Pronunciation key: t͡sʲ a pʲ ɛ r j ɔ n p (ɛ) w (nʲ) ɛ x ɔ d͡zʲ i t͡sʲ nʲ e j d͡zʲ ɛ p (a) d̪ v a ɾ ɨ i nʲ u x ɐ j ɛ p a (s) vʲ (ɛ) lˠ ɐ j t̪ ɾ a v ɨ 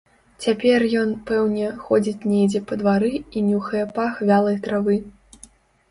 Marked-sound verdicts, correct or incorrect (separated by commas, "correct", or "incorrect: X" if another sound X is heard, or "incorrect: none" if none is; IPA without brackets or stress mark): correct, correct, incorrect: ɐ, incorrect: x, incorrect: a